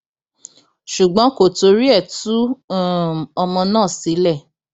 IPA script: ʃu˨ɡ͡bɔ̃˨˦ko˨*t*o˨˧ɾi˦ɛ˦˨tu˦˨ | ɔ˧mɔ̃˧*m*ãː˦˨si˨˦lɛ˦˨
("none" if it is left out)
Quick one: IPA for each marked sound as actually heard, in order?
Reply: t, n

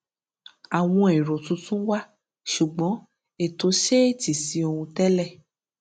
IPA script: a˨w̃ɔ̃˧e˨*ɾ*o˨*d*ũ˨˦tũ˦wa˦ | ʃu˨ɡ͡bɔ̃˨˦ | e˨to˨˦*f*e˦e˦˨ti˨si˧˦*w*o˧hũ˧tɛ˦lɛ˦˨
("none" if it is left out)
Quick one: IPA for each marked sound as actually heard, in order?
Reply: ɾ, t, ʃ, none

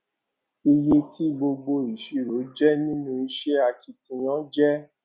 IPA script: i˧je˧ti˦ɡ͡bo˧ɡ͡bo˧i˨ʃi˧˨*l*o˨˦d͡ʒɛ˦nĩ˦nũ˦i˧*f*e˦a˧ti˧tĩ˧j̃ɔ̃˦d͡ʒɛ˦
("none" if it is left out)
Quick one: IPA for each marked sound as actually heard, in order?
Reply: ɾ, ʃ

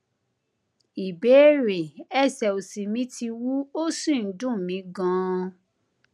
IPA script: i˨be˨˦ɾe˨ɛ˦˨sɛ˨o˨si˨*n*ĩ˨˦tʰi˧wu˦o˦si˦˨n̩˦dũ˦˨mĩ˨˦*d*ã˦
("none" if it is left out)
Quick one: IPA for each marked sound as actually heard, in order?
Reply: m, ɡ

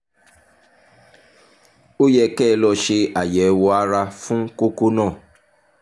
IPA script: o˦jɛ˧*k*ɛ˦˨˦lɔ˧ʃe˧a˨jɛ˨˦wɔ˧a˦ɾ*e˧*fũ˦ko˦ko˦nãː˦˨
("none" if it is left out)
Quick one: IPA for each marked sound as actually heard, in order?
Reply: k, a˧

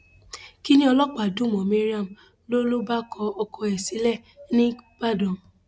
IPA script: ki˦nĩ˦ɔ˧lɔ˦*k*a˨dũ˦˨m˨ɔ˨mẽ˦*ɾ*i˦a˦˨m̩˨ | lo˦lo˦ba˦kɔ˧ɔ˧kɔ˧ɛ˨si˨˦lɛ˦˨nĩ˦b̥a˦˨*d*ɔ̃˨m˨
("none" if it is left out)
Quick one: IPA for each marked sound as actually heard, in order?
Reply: k͡p, ɾ, d

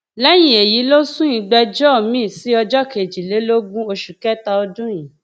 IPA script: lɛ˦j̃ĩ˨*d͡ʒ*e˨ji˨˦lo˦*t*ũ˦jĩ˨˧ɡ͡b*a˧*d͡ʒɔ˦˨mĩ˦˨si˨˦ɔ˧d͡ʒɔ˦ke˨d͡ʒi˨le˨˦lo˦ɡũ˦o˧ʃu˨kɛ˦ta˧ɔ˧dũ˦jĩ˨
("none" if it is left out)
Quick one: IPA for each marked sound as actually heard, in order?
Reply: none, s, ɛ˧

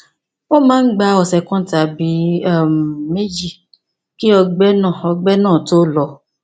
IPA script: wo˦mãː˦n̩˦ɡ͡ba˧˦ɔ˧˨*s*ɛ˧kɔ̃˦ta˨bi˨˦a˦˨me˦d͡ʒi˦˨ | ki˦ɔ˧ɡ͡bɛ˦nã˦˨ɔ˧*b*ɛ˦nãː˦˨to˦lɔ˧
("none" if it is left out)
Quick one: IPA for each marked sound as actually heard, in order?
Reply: s, ɡ͡b

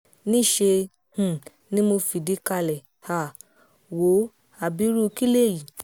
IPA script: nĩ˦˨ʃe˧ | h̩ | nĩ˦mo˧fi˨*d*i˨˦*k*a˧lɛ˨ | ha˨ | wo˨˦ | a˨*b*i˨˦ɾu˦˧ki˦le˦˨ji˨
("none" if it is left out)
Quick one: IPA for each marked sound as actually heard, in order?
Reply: d, k, b

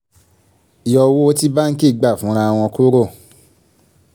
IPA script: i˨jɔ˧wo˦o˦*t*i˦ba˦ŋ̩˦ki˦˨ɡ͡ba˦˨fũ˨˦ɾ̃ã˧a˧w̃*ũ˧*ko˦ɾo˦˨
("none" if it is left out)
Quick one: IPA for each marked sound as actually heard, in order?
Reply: t, ɔ̃˧

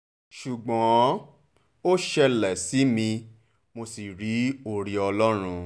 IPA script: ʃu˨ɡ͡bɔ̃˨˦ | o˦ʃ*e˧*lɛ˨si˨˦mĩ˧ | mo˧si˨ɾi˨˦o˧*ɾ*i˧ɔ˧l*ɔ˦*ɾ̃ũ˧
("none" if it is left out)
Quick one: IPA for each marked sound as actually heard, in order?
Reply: ɛ˧, ɾ, ɔ˦

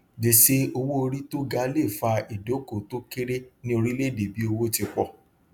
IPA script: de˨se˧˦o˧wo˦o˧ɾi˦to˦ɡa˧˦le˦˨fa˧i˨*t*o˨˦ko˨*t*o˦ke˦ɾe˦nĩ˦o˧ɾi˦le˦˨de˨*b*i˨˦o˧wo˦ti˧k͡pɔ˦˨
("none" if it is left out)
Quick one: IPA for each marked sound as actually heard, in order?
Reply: d, t, b

